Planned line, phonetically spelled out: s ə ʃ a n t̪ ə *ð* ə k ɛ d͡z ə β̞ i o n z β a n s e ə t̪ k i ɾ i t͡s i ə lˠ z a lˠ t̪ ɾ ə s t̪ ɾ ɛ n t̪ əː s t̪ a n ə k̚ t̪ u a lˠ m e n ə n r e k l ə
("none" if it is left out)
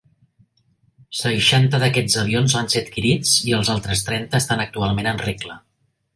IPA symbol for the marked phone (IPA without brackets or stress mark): ð